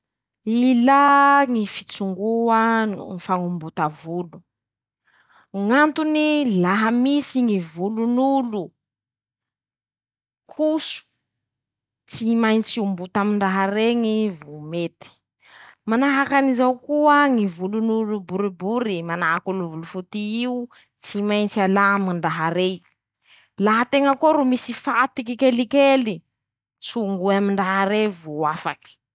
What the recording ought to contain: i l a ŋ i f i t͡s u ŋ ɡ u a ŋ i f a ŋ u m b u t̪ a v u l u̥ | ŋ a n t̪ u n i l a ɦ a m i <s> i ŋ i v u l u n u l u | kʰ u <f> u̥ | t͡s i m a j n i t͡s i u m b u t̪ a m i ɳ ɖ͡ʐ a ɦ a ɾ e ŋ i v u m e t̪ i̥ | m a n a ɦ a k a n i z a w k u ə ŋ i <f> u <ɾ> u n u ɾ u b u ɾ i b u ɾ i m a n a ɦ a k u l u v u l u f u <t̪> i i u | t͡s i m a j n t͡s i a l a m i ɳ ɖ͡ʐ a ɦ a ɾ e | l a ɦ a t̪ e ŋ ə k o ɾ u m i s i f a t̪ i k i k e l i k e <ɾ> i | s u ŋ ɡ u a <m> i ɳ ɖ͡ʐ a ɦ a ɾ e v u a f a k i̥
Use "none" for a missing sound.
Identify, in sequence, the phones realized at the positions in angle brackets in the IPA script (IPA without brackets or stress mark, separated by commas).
s, s, v, l, t̪, l, m